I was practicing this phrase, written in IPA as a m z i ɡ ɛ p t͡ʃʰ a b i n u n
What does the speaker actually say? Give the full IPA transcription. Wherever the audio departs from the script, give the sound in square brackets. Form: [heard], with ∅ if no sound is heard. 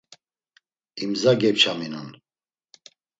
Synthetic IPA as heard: [i] m z [a] ɡ ɛ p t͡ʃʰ a [m] i n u n